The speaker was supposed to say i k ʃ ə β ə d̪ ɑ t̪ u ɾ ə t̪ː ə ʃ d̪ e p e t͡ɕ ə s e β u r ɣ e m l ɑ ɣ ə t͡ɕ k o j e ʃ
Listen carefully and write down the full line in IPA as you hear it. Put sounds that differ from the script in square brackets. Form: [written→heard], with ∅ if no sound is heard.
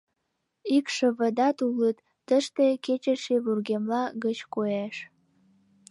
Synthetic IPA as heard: i k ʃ ə β ə d̪ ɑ t̪ u [ɾ→l] ə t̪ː ə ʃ [d̪→t̪] e [p→k] e t͡ɕ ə [s→ʃ] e β u r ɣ e m l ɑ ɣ ə t͡ɕ k o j e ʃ